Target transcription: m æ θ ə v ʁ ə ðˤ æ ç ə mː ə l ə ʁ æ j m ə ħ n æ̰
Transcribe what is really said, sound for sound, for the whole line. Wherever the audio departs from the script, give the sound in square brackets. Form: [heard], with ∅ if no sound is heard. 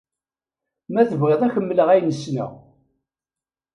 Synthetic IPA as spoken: m æ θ ə v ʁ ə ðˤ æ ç ə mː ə l ə ʁ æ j [n] ə [s] n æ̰